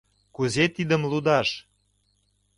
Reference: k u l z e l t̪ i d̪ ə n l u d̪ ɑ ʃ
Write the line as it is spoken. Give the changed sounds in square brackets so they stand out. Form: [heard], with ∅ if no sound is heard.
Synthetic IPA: k u [∅] z e [∅] t̪ i d̪ ə [m] l u d̪ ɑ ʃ